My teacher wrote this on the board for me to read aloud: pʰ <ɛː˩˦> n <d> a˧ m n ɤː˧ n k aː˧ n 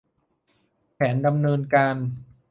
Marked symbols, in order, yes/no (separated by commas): yes, yes